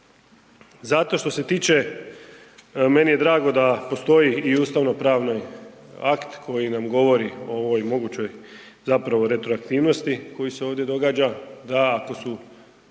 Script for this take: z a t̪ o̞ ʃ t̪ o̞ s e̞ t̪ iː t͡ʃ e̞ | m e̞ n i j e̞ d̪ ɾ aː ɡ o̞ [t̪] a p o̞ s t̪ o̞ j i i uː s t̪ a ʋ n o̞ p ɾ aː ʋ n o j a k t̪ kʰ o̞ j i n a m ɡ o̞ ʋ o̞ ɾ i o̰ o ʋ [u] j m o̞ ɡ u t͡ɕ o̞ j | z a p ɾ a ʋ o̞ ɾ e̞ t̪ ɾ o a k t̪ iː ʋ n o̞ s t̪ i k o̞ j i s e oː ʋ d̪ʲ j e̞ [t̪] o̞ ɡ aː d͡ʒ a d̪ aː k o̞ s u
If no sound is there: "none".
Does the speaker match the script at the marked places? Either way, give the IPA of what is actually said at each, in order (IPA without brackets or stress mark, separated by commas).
d̪, o, d̪